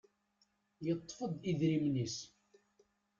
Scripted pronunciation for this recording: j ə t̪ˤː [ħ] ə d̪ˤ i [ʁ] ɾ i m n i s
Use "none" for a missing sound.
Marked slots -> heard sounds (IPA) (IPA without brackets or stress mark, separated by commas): f, ð